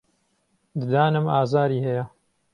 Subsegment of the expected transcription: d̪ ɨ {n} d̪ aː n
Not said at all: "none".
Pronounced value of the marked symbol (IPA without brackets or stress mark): none